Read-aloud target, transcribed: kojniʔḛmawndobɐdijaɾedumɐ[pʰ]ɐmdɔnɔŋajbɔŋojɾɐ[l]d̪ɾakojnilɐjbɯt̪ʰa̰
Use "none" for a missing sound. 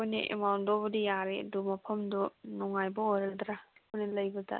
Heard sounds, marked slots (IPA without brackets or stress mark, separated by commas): pʰ, l